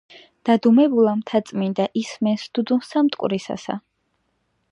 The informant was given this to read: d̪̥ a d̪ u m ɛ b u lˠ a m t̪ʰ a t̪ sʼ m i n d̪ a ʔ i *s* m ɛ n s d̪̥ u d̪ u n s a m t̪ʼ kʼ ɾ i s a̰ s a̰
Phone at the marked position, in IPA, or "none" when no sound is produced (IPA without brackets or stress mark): s